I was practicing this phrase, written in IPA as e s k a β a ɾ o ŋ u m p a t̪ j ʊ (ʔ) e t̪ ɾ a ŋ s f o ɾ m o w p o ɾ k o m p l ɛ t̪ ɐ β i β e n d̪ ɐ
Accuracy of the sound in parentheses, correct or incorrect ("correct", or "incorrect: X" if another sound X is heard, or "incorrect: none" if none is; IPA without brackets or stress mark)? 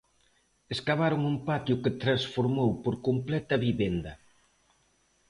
incorrect: k